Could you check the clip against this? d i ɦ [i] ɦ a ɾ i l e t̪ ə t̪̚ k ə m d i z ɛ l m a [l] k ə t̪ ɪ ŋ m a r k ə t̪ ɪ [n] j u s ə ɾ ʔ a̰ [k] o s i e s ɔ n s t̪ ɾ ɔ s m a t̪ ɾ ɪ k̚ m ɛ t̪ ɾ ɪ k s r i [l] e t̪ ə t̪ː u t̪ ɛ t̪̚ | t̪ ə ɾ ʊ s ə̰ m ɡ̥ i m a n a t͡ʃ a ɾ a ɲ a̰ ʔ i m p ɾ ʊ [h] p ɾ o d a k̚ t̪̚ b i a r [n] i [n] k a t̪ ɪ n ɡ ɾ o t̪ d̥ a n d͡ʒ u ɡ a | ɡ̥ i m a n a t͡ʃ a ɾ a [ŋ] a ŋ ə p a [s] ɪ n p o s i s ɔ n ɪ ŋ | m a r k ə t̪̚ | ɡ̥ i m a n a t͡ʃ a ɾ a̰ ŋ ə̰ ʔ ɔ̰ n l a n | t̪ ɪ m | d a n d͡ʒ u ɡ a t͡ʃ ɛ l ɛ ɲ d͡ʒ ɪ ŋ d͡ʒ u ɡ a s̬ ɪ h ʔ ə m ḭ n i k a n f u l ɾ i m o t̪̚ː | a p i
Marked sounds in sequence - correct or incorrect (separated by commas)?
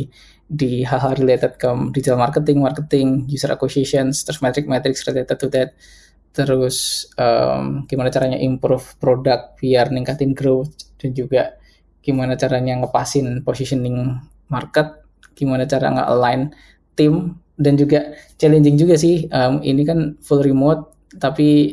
incorrect, incorrect, incorrect, correct, correct, incorrect, correct, incorrect, incorrect, correct